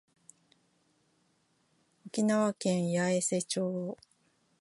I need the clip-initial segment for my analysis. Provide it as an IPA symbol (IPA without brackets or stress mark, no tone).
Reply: o̞